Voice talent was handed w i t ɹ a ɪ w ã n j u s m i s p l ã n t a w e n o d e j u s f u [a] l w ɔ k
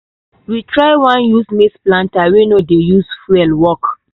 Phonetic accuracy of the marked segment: incorrect: ɛ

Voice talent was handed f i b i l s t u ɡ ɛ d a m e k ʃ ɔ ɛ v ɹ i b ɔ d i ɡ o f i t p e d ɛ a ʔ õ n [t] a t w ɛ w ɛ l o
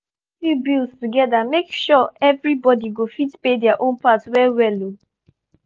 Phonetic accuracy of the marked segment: incorrect: p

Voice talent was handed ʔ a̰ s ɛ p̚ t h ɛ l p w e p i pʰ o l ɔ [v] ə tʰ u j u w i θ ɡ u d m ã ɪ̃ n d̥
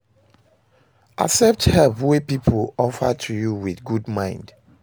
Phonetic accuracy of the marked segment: incorrect: f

